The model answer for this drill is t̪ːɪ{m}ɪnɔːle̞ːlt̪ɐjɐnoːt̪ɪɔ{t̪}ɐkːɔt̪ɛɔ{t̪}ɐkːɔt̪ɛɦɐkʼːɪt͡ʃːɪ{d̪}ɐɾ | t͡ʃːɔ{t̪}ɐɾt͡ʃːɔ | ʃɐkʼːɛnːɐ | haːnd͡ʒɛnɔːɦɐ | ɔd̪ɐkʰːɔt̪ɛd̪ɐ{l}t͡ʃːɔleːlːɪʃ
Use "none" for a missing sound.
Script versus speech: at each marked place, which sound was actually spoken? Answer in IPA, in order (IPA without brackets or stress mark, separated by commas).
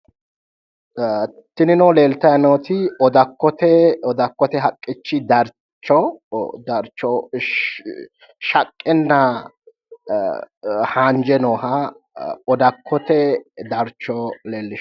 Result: n, d̪, d̪, d̪, d̪, ɾ